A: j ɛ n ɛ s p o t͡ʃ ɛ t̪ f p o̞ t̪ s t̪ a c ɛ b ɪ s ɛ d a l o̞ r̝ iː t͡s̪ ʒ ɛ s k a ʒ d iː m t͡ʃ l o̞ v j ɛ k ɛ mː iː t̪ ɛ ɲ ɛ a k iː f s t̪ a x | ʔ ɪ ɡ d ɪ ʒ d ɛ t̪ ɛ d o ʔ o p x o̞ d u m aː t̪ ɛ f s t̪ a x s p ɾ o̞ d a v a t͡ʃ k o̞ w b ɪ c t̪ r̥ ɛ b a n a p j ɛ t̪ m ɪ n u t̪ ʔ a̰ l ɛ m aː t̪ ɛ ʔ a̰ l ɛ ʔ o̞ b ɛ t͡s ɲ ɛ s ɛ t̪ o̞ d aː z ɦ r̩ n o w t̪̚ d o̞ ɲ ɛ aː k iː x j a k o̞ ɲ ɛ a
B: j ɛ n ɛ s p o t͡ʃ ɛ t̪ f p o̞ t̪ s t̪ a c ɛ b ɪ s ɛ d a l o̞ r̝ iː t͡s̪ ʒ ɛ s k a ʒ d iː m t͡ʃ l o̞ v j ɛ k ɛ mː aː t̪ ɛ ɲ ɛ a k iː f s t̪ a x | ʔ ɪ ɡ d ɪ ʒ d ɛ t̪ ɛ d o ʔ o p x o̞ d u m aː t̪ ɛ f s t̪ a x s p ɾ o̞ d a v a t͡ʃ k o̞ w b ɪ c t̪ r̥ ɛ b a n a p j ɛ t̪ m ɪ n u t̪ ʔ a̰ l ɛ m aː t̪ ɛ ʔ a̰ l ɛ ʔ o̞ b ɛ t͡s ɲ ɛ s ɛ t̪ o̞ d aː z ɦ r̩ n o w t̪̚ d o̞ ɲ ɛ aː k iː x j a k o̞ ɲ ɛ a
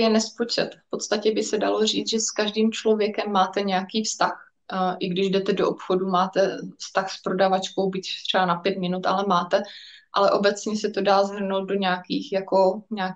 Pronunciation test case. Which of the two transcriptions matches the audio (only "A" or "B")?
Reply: B